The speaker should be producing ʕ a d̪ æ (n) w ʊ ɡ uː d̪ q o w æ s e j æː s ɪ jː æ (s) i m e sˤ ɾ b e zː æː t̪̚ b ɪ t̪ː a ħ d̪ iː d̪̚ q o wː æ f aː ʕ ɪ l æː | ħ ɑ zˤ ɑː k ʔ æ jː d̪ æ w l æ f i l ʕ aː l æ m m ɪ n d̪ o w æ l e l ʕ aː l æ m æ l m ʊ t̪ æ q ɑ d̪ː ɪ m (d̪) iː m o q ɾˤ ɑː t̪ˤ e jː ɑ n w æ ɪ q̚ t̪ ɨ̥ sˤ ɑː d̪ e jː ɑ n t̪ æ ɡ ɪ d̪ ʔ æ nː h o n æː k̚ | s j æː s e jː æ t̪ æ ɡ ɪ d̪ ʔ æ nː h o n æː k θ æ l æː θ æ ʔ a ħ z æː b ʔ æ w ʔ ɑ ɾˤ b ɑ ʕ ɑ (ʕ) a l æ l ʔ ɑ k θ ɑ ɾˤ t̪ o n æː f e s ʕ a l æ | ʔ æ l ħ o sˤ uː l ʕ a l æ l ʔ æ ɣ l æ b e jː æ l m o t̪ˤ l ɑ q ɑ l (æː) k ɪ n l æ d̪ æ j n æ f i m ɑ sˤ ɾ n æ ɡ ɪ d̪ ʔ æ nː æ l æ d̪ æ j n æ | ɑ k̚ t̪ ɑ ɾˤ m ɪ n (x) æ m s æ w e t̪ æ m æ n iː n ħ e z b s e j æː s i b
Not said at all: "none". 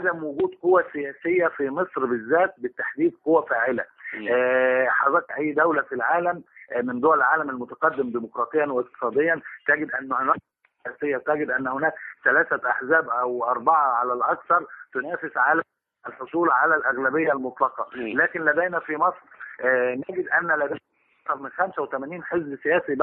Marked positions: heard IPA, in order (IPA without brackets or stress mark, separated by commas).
m, f, d̪, ʕ, æː, x